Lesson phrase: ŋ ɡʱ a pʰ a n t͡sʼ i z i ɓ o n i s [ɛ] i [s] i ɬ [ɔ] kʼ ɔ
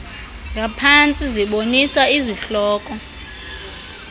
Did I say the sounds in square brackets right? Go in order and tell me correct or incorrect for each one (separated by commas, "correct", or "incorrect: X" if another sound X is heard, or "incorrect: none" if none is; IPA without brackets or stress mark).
incorrect: a, incorrect: z, incorrect: ɔː